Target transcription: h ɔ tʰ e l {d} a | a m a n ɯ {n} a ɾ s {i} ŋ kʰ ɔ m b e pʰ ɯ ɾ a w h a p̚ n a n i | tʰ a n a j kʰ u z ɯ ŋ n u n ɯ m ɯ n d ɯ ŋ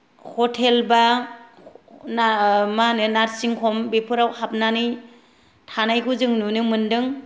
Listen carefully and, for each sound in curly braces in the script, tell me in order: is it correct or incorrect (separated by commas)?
incorrect, correct, correct